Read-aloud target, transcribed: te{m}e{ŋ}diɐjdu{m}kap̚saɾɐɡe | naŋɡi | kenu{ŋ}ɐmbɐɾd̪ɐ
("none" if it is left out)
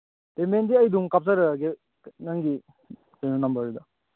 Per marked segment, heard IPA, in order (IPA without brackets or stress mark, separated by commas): m, n, ŋ, n